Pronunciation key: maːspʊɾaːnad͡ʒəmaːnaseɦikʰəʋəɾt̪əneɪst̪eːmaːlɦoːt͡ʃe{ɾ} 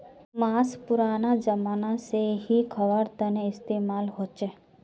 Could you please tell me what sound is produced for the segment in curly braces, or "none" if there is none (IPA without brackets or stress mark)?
none